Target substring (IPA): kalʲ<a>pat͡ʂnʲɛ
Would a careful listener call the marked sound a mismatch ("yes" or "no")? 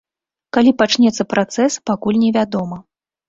yes